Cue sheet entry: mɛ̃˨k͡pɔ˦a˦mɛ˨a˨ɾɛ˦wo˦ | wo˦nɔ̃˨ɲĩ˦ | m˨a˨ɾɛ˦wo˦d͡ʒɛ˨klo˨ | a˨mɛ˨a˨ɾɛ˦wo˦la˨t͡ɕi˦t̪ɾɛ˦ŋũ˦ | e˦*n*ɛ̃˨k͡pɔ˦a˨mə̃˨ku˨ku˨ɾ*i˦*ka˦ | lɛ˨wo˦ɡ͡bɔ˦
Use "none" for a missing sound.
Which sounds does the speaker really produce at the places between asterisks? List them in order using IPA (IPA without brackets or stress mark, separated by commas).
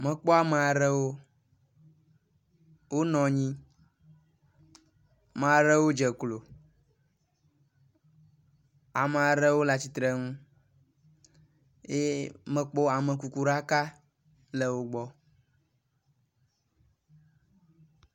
m, a˦